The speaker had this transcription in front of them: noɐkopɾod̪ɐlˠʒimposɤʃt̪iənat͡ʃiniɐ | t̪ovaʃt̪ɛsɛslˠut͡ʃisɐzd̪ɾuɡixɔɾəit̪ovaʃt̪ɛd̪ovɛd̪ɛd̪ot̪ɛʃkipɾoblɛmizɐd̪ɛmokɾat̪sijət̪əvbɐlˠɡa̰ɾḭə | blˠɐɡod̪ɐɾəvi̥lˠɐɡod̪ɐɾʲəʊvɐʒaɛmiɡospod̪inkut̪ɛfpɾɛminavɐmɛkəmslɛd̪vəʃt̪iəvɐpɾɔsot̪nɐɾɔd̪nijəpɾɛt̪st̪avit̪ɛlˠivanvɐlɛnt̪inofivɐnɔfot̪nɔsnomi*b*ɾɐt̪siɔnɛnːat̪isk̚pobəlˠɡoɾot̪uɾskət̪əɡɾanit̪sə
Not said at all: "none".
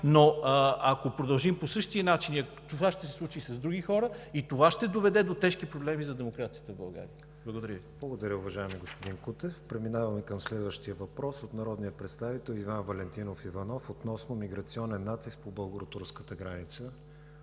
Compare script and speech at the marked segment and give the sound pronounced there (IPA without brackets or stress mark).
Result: ɡ